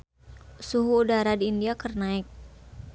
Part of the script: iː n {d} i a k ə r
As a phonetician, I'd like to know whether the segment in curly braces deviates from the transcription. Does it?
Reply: no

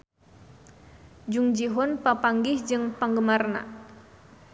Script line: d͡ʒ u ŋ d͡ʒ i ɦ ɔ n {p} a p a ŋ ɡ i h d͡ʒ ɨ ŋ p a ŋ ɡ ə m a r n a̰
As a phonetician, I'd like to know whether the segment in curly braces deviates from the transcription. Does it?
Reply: no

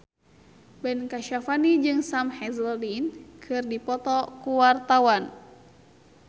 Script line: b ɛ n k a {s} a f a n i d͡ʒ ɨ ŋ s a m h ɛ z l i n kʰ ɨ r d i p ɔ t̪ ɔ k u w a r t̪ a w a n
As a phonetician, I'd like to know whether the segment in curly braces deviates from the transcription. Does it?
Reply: yes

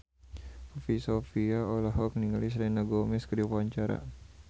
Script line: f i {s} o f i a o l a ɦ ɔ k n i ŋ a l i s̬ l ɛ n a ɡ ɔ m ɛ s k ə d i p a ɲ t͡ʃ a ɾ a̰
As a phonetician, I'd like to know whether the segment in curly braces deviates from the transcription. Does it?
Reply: no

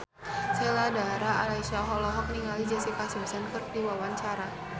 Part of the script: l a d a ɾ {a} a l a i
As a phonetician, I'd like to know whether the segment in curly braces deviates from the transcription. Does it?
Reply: no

